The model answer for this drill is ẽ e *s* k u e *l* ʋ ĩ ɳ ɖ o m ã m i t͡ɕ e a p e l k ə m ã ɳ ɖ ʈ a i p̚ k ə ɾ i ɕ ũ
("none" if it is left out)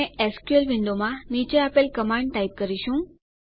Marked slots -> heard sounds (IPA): s, l

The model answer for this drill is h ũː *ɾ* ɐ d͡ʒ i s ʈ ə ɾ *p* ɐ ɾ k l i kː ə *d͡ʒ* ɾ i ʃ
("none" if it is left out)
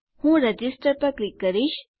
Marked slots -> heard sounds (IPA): ɾ, p, none

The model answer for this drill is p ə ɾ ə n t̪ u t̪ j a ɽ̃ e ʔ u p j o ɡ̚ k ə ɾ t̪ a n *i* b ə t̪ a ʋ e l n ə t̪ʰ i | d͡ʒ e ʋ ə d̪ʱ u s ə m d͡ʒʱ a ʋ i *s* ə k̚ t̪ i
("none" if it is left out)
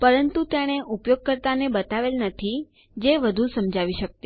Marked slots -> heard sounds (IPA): e, ʃ

